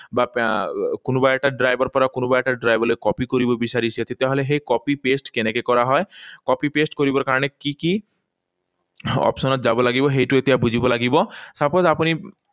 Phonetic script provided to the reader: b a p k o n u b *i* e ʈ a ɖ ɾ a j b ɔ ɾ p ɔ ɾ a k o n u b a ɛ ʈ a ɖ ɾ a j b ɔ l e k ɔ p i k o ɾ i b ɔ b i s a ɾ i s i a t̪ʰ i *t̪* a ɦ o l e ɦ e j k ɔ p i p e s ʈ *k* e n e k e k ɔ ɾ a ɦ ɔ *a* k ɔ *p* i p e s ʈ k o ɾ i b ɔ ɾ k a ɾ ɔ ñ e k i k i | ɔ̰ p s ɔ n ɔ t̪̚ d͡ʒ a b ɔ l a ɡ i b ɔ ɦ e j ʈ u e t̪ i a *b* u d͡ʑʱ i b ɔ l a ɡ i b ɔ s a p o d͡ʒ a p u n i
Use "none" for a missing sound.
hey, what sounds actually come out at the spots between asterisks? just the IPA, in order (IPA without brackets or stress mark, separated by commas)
a, t̪, k, e, p, b